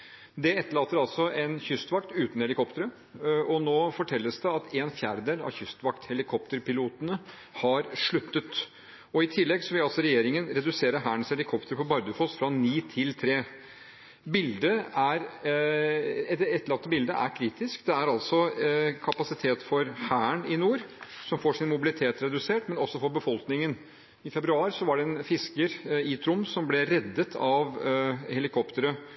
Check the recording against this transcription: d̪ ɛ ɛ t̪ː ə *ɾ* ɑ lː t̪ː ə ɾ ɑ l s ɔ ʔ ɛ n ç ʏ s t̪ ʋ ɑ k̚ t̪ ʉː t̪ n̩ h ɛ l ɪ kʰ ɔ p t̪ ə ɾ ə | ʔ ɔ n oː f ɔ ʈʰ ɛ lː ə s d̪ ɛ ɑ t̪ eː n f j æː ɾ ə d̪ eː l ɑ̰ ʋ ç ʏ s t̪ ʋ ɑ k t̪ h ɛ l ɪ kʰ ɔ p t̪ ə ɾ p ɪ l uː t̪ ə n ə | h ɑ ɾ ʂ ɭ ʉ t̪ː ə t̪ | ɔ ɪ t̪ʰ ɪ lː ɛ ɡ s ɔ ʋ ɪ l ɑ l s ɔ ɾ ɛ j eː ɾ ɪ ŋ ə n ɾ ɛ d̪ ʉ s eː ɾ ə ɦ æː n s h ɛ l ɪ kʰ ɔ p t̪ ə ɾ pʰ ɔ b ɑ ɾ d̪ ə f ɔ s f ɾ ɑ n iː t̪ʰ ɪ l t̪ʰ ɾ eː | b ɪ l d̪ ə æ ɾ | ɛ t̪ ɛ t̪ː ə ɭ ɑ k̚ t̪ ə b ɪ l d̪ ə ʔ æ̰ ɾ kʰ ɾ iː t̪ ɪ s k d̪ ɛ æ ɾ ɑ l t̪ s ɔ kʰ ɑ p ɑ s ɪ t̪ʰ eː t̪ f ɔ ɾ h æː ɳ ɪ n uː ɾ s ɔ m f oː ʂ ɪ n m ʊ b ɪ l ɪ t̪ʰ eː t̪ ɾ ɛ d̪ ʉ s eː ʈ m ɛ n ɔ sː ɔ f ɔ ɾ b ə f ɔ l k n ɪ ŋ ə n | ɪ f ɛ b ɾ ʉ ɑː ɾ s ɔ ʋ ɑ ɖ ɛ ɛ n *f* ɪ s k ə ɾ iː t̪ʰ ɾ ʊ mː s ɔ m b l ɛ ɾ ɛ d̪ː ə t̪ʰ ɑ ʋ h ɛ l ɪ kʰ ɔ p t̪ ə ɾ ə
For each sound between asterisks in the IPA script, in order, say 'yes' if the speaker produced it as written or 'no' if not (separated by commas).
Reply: no, yes